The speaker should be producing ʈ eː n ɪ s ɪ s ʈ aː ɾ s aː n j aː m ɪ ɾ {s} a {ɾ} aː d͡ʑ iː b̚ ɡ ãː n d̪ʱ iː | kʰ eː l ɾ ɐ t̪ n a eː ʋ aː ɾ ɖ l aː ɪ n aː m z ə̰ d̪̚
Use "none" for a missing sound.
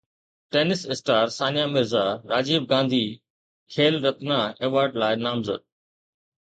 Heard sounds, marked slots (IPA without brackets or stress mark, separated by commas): z, ɾ